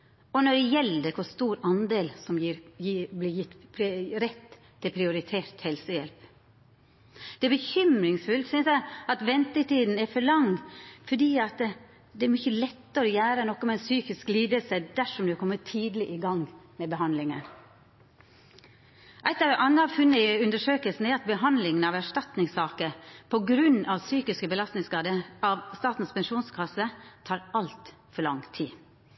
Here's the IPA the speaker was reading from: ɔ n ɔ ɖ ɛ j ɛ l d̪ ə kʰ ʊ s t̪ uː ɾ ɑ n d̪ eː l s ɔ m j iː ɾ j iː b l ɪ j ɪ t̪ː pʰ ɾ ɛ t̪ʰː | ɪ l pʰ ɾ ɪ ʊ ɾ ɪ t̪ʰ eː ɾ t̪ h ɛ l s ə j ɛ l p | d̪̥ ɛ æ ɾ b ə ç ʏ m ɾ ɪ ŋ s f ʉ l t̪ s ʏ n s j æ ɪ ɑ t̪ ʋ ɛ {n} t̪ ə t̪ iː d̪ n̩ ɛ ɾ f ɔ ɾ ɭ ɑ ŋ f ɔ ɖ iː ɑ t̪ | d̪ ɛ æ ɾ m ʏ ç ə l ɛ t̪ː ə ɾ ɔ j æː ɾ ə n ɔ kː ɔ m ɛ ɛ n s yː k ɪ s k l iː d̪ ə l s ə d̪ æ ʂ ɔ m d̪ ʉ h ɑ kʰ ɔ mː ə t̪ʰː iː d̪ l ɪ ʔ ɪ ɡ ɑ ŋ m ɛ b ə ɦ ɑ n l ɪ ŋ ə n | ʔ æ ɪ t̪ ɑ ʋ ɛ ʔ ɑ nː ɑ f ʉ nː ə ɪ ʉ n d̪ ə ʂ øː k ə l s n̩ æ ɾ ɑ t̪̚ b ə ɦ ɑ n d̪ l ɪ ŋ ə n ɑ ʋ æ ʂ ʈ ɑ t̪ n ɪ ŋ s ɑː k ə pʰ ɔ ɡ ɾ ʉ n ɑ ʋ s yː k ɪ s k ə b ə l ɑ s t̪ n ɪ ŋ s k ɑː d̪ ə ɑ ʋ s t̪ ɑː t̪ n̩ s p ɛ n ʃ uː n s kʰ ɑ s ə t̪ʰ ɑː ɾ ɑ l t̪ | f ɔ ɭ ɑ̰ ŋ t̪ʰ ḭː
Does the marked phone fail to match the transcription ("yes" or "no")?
no